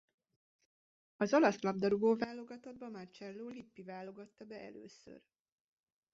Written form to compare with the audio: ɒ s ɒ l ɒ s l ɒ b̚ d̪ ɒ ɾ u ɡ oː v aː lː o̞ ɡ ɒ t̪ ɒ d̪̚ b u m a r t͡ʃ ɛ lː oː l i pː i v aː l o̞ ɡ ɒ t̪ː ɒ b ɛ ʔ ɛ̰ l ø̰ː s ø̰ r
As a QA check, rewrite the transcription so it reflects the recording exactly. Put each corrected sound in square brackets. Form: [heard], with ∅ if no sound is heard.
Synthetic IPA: ɒ [z] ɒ l ɒ s l ɒ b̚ d̪ ɒ ɾ u ɡ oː v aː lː o̞ ɡ ɒ t̪ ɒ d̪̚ b [ɒ] m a r t͡ʃ ɛ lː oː l i pː i v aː l o̞ ɡ ɒ t̪ː ɒ b ɛ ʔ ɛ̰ l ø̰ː s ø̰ r